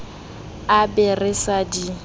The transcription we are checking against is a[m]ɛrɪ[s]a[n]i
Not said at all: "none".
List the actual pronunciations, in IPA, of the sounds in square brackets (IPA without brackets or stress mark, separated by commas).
b, s, d